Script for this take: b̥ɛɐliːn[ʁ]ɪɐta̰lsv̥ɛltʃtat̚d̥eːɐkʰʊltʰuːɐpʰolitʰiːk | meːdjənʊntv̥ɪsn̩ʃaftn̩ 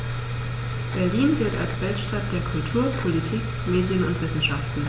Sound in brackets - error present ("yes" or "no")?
yes